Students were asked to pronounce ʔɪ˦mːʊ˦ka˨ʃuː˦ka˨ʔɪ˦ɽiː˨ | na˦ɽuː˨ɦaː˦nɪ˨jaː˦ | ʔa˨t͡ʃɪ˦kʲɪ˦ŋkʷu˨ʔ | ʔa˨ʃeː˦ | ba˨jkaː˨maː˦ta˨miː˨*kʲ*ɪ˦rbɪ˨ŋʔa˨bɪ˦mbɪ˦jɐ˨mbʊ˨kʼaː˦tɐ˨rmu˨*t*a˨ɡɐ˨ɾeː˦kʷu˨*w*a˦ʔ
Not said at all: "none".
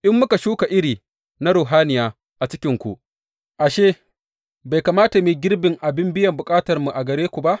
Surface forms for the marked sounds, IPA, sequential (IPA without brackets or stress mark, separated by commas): ɡʲ, ʔ, b